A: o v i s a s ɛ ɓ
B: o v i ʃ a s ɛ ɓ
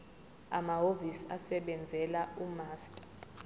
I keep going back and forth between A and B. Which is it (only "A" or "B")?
A